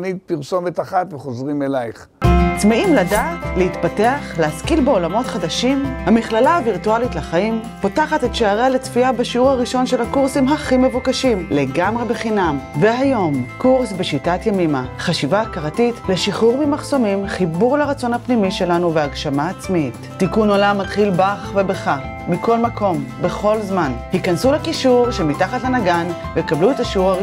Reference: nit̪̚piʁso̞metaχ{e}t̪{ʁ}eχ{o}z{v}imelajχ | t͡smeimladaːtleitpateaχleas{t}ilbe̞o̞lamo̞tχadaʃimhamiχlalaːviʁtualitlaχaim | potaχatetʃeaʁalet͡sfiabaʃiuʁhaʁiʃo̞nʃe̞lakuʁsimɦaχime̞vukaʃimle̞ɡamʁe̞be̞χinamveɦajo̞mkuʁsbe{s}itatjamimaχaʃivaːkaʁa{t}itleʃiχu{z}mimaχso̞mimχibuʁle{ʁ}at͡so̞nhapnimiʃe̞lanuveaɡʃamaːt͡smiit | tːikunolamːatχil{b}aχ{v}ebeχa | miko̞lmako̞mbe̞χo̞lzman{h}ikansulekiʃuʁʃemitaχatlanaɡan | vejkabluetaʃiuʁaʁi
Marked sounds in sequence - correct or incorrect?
incorrect: a, incorrect: v, correct, incorrect: ʁ, incorrect: k, incorrect: ʃ, correct, incorrect: ʁ, correct, correct, correct, correct

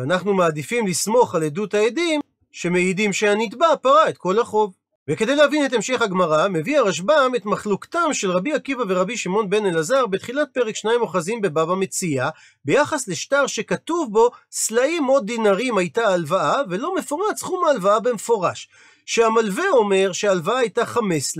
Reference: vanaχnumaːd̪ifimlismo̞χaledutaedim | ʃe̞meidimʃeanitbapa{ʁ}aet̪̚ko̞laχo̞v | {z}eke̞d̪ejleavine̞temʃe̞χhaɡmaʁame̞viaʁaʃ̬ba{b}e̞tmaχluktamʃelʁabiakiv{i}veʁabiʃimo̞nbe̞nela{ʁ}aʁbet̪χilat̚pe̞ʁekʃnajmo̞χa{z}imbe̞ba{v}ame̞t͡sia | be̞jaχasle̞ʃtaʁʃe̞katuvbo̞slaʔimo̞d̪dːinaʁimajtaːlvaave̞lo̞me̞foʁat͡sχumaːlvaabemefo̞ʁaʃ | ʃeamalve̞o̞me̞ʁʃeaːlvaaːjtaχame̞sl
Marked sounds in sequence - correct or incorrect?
correct, incorrect: v, incorrect: m, incorrect: a, incorrect: z, correct, correct

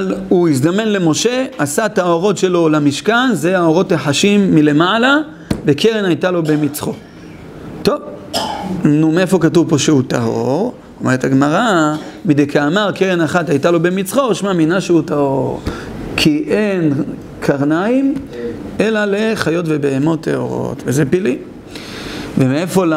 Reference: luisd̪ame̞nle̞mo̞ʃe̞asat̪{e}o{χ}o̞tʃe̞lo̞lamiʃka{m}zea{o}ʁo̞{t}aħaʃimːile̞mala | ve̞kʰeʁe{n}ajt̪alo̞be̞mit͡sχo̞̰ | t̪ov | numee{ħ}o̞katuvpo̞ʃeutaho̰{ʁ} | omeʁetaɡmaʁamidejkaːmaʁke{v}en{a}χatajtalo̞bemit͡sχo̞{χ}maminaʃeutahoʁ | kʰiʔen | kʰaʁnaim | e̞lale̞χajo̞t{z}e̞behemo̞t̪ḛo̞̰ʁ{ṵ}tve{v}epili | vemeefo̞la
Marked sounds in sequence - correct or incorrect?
incorrect: a, incorrect: ʁ, incorrect: n, correct, correct, correct, incorrect: f, correct, incorrect: ʁ, correct, incorrect: ʃ, incorrect: v, incorrect: o̰, incorrect: z

